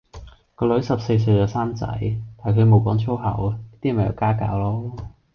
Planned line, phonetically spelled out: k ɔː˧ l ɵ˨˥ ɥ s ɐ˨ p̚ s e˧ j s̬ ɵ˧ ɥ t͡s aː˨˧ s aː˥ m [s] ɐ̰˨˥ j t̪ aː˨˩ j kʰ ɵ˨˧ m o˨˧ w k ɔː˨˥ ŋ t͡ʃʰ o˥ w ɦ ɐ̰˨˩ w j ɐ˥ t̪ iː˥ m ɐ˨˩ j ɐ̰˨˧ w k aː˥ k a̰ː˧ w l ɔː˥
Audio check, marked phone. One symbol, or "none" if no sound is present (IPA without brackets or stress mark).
t͡s